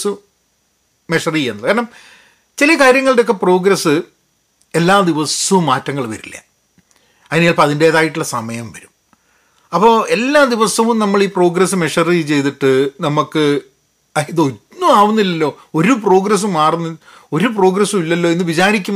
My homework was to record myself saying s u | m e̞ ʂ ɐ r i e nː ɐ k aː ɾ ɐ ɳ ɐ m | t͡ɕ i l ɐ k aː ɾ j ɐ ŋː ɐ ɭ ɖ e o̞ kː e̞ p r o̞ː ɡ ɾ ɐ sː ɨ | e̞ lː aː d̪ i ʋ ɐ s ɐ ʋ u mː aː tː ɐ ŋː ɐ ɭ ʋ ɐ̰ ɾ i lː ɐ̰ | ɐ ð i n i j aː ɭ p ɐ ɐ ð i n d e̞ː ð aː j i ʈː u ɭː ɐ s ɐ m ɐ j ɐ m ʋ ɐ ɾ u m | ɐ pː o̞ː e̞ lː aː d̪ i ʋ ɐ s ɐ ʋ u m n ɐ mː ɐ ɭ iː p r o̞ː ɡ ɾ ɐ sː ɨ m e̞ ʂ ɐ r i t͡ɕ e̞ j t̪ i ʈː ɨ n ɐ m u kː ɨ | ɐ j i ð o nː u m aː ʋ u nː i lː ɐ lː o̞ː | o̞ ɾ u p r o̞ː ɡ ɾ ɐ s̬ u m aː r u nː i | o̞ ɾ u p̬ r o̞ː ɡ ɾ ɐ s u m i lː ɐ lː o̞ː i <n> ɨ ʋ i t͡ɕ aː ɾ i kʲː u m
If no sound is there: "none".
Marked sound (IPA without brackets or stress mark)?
nː